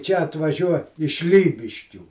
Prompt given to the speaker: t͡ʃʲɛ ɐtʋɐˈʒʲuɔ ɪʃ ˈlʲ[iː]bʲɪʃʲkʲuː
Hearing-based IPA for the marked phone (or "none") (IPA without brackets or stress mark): iː